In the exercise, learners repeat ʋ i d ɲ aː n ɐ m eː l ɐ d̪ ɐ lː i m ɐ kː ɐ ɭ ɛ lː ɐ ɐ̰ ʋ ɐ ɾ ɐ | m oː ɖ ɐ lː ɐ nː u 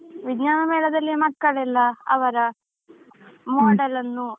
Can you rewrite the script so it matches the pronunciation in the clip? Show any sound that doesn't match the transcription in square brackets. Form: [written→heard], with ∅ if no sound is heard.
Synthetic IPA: ʋ i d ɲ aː n ɐ m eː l ɐ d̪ ɐ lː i m ɐ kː ɐ ɭ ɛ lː ɐ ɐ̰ ʋ ɐ ɾ ɐ | m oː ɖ ɐ [lː→l] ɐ nː u